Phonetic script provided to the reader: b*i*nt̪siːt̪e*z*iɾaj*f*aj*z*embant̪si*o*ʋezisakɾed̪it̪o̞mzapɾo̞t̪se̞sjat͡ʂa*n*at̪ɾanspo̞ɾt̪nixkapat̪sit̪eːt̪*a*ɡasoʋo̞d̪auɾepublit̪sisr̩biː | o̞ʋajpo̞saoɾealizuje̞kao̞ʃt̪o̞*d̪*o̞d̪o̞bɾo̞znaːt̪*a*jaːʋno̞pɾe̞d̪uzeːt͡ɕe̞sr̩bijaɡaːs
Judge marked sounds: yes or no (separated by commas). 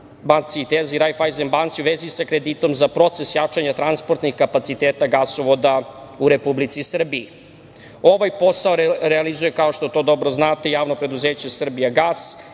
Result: no, yes, yes, yes, no, no, yes, no, no